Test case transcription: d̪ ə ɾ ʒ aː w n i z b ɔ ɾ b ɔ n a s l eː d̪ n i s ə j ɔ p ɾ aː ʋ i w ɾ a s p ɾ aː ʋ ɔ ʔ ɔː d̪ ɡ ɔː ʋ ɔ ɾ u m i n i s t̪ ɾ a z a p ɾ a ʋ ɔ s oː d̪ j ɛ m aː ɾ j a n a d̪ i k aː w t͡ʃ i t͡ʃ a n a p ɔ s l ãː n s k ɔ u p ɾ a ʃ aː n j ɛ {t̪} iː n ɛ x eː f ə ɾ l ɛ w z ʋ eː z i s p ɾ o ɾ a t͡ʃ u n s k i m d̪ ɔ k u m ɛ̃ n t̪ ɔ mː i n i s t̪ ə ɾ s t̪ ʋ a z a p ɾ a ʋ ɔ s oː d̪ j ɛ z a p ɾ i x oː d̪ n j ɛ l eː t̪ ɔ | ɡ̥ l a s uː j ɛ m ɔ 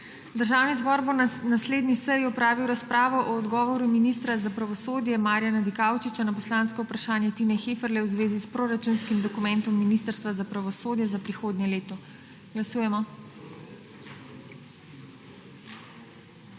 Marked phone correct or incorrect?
correct